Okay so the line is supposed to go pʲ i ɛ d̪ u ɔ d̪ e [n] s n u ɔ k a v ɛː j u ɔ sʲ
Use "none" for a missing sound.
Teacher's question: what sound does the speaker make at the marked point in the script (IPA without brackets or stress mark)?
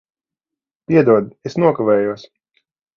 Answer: none